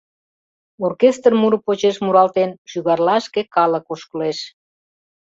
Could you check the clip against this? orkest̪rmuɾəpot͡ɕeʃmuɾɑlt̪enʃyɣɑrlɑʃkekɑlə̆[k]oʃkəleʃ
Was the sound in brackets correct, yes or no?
yes